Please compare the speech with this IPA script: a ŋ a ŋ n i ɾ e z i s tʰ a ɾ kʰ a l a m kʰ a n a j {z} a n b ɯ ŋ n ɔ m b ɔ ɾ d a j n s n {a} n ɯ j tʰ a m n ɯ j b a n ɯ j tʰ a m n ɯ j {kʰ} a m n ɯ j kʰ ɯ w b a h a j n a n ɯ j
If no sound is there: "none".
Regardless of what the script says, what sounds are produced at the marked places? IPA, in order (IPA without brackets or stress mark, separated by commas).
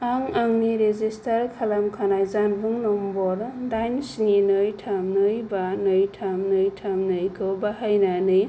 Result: z, i, tʰ